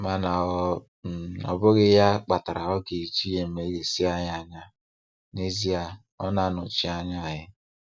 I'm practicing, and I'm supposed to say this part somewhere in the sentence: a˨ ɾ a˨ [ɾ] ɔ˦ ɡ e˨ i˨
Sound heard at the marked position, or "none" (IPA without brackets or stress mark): none